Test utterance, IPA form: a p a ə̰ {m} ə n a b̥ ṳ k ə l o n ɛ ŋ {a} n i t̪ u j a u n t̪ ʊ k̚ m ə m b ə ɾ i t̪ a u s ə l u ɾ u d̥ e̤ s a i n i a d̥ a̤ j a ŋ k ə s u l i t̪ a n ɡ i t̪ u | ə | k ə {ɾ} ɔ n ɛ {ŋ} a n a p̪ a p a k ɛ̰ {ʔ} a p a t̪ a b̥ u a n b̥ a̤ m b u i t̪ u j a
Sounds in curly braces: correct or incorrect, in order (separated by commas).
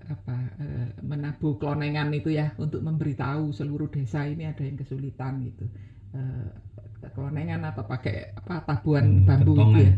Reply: correct, correct, incorrect, correct, correct